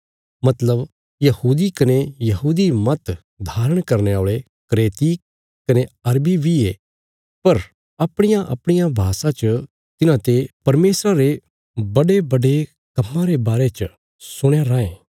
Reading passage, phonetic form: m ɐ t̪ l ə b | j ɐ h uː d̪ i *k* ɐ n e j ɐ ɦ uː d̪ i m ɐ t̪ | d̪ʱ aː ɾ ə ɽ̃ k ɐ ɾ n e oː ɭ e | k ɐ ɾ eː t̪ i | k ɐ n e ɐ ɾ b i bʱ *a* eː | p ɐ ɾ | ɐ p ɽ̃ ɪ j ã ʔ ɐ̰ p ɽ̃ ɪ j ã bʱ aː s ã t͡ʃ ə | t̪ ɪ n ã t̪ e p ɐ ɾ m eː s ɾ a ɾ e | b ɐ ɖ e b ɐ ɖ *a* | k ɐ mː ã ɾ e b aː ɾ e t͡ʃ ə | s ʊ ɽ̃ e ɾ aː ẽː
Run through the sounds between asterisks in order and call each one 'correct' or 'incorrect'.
correct, incorrect, incorrect

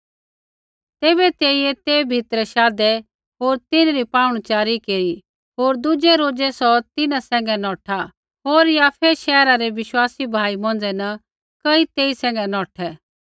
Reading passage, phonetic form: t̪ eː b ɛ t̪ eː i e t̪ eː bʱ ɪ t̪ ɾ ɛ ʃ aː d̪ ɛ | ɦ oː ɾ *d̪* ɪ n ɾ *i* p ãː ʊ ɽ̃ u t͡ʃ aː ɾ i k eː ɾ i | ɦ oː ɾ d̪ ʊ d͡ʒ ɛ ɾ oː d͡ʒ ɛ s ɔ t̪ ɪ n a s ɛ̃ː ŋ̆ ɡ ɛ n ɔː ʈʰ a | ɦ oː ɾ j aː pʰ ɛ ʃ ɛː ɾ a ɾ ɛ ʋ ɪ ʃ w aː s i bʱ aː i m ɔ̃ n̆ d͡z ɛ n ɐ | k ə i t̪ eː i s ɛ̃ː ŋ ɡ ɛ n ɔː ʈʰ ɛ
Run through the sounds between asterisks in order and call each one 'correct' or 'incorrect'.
incorrect, correct

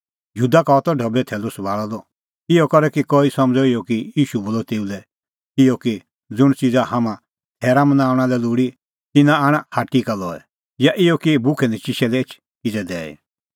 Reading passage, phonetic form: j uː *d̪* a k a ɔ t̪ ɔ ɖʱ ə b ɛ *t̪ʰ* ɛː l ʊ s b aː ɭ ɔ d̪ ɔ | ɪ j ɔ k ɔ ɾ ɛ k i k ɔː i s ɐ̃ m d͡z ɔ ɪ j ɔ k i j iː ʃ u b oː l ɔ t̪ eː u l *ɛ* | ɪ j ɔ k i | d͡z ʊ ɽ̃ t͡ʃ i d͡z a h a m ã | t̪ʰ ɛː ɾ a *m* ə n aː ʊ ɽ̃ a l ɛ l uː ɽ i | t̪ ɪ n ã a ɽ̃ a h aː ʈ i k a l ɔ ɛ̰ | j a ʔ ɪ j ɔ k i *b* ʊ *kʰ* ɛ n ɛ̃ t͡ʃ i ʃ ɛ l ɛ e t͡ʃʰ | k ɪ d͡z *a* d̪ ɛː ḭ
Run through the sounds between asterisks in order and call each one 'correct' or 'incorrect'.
correct, correct, correct, correct, correct, correct, incorrect

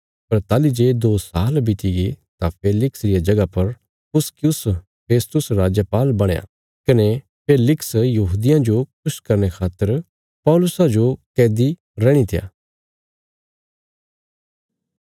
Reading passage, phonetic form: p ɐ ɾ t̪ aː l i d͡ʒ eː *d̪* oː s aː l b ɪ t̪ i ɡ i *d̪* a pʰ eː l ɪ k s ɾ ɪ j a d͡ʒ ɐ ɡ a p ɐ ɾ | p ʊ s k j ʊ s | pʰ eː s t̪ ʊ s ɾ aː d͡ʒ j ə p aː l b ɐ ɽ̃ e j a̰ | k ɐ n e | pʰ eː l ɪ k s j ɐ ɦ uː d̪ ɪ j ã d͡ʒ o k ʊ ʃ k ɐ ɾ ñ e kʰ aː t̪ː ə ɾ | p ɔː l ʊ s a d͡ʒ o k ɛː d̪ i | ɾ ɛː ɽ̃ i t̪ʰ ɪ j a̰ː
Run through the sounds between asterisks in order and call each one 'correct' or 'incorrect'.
correct, incorrect

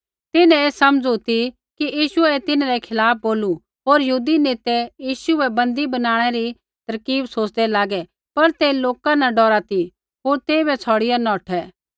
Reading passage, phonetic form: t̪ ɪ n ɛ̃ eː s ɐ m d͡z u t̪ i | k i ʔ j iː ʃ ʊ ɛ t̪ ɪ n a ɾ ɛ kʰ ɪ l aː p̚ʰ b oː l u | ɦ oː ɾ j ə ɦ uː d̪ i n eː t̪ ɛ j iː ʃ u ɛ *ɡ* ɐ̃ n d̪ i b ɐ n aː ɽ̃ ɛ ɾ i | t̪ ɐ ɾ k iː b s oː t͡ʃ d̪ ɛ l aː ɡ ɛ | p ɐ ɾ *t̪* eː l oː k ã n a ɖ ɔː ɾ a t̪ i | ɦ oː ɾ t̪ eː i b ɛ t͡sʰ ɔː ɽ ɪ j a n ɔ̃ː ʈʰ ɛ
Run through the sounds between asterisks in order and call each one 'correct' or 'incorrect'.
incorrect, correct

